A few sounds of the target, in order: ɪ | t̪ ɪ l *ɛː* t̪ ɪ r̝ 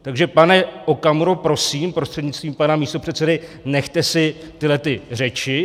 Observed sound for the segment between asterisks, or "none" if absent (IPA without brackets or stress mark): ɛ